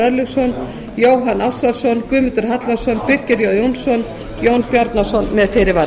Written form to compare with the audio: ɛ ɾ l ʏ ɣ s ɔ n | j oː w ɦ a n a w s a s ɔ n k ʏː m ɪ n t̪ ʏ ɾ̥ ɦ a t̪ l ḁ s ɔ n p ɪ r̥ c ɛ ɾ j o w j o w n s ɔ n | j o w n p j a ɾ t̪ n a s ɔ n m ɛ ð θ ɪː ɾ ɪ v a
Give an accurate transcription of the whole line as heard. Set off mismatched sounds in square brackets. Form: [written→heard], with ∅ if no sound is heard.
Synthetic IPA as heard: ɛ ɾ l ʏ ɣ s ɔ n | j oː w ɦ a n a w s a s ɔ n k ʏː m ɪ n t̪ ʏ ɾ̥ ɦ a t̪ l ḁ s ɔ n p ɪ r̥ c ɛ ɾ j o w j o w n s ɔ n | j o w n p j a ɾ t̪ n a s ɔ n m ɛ ð [θ→f] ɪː ɾ ɪ v a